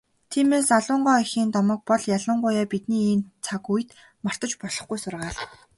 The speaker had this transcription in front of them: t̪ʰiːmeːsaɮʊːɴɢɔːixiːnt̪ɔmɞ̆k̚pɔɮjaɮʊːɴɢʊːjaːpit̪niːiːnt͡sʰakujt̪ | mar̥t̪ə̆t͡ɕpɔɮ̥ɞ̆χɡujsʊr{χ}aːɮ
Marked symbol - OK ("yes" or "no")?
no